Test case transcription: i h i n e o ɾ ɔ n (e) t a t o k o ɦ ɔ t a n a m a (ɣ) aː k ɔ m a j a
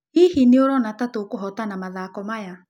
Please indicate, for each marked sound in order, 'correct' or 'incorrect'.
incorrect, incorrect

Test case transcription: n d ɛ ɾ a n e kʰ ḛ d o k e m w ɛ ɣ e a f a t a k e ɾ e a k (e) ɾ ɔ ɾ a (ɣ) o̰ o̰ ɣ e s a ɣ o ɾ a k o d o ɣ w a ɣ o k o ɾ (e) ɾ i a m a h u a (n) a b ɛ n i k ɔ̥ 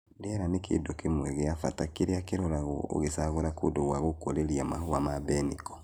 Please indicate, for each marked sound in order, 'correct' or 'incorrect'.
correct, correct, correct, incorrect

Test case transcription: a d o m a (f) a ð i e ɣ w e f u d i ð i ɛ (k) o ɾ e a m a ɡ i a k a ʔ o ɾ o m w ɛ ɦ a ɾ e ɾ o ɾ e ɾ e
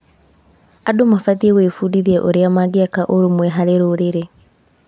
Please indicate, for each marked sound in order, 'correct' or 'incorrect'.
correct, incorrect

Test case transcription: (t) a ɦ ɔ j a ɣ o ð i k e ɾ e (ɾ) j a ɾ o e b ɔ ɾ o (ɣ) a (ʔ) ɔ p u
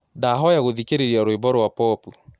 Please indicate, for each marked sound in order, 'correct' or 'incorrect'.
incorrect, correct, incorrect, incorrect

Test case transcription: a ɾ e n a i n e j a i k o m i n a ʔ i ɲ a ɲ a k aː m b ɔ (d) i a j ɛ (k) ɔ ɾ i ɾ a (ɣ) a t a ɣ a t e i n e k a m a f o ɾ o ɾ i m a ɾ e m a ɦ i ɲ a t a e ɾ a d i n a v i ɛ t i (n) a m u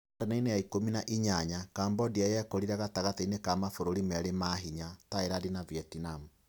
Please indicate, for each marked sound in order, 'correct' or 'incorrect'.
correct, correct, correct, correct

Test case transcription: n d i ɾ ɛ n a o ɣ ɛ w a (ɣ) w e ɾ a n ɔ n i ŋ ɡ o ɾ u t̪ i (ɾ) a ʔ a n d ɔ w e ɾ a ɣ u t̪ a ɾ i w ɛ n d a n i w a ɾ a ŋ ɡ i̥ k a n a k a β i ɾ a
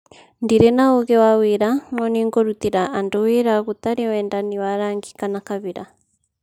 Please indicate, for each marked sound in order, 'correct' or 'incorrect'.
incorrect, correct

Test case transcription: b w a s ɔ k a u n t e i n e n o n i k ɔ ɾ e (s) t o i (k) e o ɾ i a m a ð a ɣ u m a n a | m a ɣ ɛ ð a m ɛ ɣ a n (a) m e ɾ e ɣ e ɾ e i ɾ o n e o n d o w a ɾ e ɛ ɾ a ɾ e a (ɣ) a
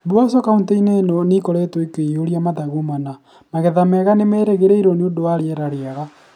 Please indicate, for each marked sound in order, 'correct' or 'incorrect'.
incorrect, correct, incorrect, correct

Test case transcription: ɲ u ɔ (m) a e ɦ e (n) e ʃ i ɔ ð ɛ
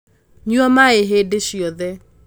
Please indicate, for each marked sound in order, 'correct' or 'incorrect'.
correct, incorrect

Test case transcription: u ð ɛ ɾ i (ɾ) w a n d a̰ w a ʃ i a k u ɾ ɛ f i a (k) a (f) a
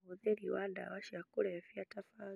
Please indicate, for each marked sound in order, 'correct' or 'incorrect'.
incorrect, incorrect, correct

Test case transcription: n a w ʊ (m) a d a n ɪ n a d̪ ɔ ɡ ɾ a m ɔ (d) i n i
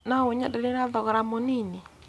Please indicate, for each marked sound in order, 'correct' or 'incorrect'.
incorrect, incorrect

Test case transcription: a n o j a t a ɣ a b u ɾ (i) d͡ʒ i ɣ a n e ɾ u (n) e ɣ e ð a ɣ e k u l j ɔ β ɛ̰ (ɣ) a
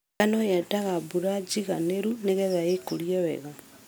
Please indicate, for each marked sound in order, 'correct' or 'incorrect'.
incorrect, correct, correct

